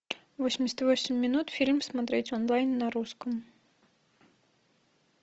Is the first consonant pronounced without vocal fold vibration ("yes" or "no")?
no